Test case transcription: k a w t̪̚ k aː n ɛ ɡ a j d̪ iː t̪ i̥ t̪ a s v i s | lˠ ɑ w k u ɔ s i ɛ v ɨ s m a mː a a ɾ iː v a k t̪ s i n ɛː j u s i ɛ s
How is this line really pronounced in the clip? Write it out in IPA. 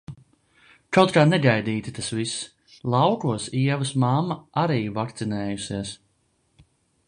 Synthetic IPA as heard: k a w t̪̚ k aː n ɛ ɡ a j d̪ iː t̪ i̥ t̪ a s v i s | lˠ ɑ w k u ɔ s i ɛ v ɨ s m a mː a a ɾ iː v a k t̪ s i n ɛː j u s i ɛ s